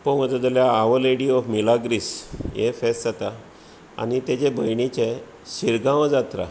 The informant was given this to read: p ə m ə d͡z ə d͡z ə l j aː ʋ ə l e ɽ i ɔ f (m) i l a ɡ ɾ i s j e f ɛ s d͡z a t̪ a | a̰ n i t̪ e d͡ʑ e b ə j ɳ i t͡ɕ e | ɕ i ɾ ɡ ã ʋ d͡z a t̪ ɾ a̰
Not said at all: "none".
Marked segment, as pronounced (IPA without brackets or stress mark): m